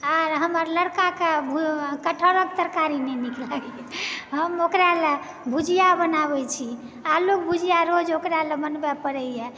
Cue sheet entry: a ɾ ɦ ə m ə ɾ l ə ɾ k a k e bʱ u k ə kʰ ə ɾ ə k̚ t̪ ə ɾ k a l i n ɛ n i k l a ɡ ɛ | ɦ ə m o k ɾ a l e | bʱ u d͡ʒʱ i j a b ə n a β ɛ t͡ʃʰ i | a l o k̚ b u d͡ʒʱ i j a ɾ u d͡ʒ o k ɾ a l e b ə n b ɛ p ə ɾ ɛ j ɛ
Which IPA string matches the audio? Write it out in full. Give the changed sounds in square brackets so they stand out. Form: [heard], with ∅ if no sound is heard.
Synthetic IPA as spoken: a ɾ ɦ ə m ə ɾ l ə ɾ k a k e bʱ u k ə [ʈʰ] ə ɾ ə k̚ t̪ ə ɾ k a [ɾ] i n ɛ n i k l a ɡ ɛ | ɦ ə m o k ɾ a l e | bʱ u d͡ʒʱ i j a b ə n a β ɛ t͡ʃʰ i | a l o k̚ b u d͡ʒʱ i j a ɾ [o] d͡ʒ o k ɾ a l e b ə n b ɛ p ə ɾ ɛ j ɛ